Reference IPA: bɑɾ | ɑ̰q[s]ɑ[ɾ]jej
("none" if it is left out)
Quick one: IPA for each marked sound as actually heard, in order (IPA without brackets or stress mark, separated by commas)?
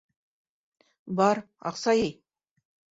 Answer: s, none